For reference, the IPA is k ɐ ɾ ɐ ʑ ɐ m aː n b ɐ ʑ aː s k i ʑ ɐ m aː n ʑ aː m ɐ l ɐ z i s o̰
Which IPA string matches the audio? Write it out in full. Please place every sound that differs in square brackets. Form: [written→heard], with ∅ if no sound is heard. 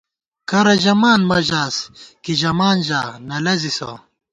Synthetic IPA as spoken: k ɐ ɾ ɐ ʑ ɐ m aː n [b→m] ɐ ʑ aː s k i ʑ ɐ m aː n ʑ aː [m→n] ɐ l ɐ z i s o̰